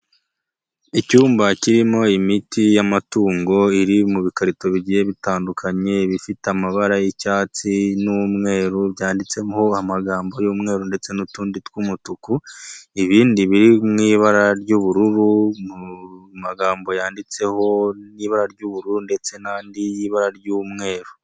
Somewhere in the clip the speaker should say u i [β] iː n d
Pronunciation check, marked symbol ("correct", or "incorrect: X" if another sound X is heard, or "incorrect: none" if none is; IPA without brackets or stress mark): correct